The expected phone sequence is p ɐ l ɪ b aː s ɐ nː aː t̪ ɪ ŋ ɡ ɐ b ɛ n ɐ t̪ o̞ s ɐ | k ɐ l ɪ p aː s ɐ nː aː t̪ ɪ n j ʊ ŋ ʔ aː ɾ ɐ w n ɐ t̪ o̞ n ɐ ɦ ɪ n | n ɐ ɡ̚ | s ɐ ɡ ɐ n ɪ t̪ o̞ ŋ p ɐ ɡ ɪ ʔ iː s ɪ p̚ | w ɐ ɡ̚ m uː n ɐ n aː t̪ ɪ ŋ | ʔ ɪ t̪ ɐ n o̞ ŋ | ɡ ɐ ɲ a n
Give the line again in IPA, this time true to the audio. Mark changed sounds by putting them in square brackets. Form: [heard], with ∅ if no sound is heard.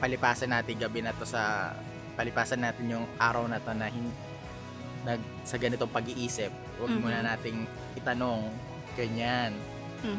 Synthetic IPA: p ɐ l ɪ [p] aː s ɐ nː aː t̪ ɪ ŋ ɡ ɐ b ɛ n ɐ t̪ o̞ s ɐ | [p] ɐ l ɪ p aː s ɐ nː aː t̪ ɪ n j ʊ ŋ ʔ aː ɾ ɐ w n ɐ t̪ o̞ n ɐ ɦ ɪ n | n ɐ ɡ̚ | s ɐ ɡ ɐ n ɪ t̪ o̞ ŋ p ɐ ɡ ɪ ʔ iː s ɪ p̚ | w ɐ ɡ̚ m uː n ɐ n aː t̪ ɪ ŋ | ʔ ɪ t̪ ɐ n o̞ ŋ | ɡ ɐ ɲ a n